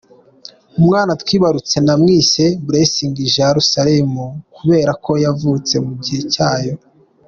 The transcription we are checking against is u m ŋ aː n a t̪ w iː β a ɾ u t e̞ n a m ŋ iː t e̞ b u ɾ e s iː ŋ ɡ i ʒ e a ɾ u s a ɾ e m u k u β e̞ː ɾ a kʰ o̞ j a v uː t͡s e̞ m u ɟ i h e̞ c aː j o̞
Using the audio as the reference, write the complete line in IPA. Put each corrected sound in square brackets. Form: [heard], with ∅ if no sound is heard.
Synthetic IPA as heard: u m ŋ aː n a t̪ w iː β a ɾ u [t͡s] e̞ n a m ŋ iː [s] e̞ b u ɾ e s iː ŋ ɡ i ʒ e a ɾ u s a ɾ e m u k u β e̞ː ɾ a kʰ o̞ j a v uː t͡s e̞ m u ɟ i h e̞ c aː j o̞